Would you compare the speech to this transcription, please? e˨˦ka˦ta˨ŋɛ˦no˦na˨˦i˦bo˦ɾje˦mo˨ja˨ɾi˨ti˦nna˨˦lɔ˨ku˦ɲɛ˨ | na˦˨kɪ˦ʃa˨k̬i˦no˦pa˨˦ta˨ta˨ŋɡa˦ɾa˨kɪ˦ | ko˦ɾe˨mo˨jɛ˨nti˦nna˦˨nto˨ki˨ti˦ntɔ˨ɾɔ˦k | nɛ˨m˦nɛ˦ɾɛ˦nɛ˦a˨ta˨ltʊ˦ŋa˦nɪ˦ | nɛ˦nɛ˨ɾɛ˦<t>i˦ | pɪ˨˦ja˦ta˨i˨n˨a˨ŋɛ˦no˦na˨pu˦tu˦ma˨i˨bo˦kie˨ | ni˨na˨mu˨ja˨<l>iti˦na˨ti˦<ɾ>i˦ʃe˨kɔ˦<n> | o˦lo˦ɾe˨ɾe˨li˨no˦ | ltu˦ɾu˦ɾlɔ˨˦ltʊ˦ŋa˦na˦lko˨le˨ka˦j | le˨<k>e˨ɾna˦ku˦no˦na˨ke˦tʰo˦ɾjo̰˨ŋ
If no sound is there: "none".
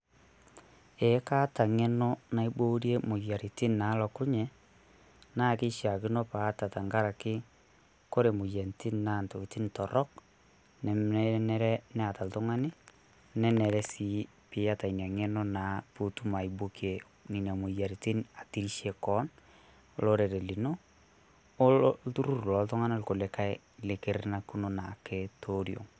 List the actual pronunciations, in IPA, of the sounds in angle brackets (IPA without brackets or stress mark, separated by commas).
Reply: s, ɾ, ɾ, n, k